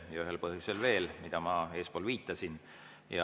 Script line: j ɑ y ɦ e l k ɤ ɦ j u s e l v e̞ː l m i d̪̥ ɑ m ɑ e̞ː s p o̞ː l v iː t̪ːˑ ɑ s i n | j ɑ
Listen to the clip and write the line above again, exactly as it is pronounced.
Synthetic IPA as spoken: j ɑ y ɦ e l p ɤ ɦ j u s e l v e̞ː l m i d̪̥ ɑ m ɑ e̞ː s p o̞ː l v iː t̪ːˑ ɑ s i n | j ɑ